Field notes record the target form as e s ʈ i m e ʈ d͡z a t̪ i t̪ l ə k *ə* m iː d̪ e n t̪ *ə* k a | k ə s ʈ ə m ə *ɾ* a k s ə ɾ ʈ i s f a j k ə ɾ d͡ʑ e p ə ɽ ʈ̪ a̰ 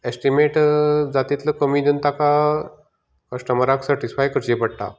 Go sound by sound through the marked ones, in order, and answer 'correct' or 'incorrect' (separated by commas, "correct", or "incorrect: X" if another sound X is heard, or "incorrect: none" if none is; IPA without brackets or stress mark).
correct, incorrect: a, correct